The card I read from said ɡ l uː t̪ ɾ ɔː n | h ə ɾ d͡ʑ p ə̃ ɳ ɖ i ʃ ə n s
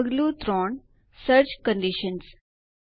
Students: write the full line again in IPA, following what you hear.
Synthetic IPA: ɡ l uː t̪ ɾ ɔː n | s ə ɾ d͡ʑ k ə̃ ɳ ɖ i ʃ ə n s

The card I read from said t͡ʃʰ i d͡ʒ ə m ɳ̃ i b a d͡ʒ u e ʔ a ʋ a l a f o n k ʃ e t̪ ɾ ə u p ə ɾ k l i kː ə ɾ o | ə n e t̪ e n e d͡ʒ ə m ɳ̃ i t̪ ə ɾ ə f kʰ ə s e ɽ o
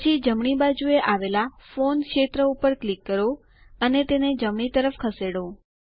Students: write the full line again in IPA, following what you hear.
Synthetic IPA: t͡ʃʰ i d͡ʒ ə m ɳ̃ i b a d͡ʒ u e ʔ a ʋ e l a f o n k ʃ e t̪ ɾ ə u p ə ɾ k l i kː ə ɾ o | ə n e t̪ e n e d͡ʒ ə m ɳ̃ i t̪ ə ɾ ə f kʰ ə s e ɽ o

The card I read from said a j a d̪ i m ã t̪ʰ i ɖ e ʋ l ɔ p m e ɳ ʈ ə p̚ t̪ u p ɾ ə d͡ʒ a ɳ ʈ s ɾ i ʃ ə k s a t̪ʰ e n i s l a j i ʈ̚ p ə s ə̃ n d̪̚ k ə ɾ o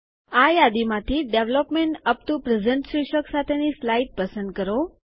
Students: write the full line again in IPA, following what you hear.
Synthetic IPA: a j a d̪ i m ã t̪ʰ i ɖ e ʋ l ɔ p m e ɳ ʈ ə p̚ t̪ u p ɾ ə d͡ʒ ə ɳ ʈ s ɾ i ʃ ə k s a t̪ʰ e n i s l a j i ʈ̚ p ə s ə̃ n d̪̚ k ə ɾ o

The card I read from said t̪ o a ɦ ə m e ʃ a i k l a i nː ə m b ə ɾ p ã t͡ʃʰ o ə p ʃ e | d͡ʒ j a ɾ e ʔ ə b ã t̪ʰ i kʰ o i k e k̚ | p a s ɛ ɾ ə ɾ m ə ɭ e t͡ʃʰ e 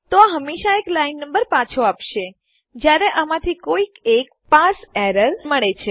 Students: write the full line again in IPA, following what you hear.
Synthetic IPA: t̪ o a ɦ ə m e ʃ a e k l a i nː ə m b ə ɾ p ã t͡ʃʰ o a p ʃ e | d͡ʒ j a ɾ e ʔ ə m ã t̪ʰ i k o i k e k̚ | p a s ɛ ɾ ə ɾ m ə ɭ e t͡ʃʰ e

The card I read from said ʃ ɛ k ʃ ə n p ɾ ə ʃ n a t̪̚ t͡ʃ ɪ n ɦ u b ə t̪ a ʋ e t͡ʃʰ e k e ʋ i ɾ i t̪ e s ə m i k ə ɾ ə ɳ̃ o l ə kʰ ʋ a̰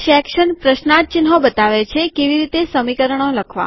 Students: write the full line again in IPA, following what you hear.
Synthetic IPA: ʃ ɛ k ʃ ə n p ɾ ə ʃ n a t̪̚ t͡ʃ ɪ n ɦ o b ə t̪ a ʋ e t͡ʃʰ e k e ʋ i ɾ i t̪ e s ə m i k ə ɾ ə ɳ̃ o l ə kʰ ʋ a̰

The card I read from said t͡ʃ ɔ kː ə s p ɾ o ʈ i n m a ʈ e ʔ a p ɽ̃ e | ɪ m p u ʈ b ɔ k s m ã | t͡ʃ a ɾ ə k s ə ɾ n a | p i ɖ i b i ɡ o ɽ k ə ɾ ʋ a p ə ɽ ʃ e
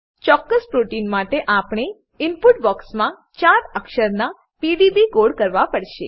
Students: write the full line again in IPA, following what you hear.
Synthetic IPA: t͡ʃ ɔ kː ə s p ɾ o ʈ i n m a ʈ e ʔ a p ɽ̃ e | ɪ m p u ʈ b ɔ k s m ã | t͡ʃ a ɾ ə k ʃ ə ɾ n a | p i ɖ i b i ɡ o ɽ k ə ɾ ʋ a p ə ɽ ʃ e

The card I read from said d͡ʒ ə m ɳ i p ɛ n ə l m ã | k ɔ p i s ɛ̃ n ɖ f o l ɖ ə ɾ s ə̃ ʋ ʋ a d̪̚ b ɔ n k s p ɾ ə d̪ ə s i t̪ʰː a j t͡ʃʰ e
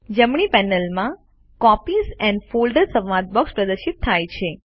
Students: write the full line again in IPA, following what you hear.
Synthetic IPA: d͡ʒ ə m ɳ i p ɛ n ə l m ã | k ɔ p i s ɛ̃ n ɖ f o l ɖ ə ɾ s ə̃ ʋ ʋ a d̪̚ b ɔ k s p ɾ ə d̪ ə ʃ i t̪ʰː a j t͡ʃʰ e

